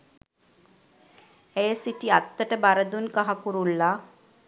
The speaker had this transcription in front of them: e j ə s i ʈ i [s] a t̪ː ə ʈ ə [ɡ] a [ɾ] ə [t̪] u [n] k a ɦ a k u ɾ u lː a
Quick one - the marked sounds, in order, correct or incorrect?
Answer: incorrect: none, incorrect: b, correct, incorrect: d̪, correct

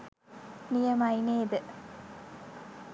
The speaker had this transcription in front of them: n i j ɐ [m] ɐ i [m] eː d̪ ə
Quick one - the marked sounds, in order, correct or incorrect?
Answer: correct, incorrect: n

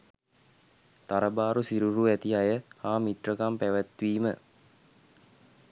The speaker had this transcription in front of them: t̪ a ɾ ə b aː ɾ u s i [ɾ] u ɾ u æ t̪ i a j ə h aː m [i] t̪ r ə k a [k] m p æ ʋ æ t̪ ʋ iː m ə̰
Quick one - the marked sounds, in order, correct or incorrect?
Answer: correct, correct, incorrect: none

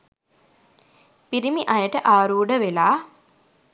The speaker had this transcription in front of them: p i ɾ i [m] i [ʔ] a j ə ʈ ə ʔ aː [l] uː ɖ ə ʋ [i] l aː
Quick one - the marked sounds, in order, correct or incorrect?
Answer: correct, correct, incorrect: ɾ, incorrect: e

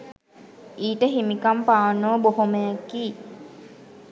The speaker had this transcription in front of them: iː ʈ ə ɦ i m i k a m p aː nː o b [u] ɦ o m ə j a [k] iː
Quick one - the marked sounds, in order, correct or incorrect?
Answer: incorrect: o, correct

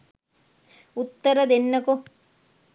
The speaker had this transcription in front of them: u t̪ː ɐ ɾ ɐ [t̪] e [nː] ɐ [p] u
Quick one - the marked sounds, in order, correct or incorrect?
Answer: incorrect: d̪, correct, incorrect: k

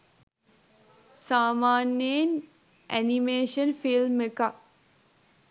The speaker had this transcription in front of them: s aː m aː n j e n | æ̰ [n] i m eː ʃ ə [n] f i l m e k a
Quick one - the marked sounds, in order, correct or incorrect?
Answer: correct, correct

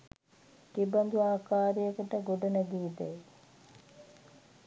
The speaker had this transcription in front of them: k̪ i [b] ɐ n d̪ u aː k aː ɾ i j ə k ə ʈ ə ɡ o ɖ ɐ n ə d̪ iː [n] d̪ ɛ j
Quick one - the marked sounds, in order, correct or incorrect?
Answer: correct, incorrect: none

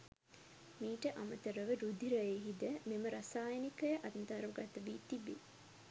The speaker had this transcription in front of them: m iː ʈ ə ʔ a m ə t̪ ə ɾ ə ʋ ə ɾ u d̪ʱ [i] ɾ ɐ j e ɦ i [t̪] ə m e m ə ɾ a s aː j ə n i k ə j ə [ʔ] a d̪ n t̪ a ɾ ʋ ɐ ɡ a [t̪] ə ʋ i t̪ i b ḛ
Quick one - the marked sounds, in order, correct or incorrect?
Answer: correct, incorrect: d̪, correct, correct

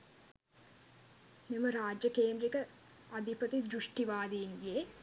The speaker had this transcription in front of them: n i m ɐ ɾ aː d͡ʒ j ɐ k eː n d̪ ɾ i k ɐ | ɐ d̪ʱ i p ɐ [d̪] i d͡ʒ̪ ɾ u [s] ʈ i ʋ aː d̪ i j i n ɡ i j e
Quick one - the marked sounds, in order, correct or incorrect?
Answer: incorrect: t̪, incorrect: ʂ

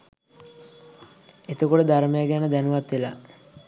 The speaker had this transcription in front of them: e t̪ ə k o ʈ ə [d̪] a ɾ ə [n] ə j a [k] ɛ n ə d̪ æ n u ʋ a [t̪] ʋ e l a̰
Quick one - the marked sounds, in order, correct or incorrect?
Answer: correct, incorrect: m, incorrect: ɡ, correct

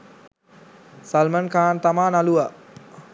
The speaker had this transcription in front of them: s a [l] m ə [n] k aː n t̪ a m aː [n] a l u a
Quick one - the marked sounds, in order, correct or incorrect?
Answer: correct, correct, correct

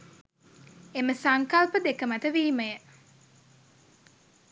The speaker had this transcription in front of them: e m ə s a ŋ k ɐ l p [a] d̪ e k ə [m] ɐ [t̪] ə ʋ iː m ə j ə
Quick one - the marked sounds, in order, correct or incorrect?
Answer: incorrect: ə, correct, correct

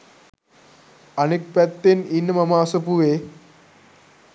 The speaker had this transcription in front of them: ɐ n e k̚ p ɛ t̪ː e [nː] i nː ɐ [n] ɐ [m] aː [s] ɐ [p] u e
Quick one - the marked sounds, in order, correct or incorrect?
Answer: incorrect: n, incorrect: m, correct, correct, correct

